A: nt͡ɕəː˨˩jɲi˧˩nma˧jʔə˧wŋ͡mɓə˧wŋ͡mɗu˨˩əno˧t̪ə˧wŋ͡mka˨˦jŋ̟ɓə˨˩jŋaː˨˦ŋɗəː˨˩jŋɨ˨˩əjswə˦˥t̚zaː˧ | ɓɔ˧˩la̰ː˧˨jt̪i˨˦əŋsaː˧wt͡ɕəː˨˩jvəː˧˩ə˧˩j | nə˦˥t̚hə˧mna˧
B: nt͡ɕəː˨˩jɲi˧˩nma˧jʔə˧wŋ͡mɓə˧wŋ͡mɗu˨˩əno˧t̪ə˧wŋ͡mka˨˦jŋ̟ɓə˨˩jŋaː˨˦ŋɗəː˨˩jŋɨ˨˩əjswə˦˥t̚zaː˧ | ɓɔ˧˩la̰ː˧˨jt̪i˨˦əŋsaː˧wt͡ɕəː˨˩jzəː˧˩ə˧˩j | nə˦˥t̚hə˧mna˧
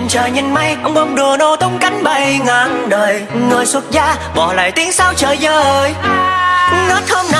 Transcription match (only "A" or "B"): B